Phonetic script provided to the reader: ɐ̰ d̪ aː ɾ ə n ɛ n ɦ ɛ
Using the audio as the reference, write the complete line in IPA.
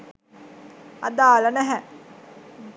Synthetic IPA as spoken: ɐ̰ d̪ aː l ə n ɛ ɦ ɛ